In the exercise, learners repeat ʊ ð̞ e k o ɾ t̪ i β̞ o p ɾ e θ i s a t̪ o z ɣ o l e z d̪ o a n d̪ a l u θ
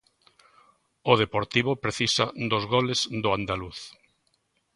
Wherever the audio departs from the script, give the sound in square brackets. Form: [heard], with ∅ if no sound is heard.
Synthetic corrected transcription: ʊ ð̞ e [p] o ɾ t̪ i β̞ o p ɾ e θ i s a [d̪] o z ɣ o l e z d̪ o a n d̪ a l u θ